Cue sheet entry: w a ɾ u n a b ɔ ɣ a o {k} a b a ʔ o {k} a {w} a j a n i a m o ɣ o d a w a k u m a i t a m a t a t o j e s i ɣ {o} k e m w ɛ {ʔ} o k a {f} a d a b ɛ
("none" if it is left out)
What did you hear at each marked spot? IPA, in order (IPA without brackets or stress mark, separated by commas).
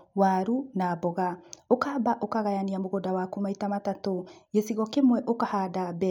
k, k, ɣ, ɔ, ʔ, h